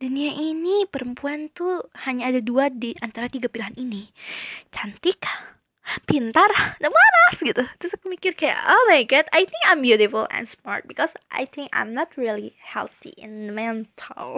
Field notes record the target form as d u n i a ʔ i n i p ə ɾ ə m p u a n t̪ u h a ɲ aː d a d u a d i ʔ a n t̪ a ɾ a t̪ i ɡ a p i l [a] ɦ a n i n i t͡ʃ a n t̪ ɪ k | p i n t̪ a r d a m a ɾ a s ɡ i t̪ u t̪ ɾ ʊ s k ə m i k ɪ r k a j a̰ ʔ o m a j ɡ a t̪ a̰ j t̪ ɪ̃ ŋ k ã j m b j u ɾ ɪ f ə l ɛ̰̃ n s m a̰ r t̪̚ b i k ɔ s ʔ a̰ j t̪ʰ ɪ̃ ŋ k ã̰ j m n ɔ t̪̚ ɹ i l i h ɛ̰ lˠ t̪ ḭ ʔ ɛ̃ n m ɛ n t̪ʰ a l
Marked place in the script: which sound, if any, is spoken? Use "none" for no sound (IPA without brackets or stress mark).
a